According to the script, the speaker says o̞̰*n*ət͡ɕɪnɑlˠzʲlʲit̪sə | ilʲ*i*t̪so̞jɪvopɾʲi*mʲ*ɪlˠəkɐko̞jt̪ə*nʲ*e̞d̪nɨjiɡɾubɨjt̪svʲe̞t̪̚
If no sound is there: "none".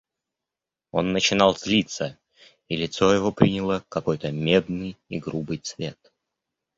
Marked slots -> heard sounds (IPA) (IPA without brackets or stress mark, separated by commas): nː, ɪ, nʲ, mʲ